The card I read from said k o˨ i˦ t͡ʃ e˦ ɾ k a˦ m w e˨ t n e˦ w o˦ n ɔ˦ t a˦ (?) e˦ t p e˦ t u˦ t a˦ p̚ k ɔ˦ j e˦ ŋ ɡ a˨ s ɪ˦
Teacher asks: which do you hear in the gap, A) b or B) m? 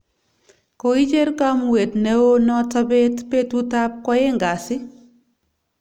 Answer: A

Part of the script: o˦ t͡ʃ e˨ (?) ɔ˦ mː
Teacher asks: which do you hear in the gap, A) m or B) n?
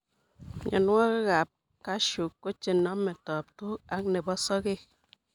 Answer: B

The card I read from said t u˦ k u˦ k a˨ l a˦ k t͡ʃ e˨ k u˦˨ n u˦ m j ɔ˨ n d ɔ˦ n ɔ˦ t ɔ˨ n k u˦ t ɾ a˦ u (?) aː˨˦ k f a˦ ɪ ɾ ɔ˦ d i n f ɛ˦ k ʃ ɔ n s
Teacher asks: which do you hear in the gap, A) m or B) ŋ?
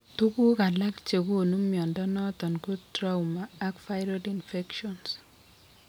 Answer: A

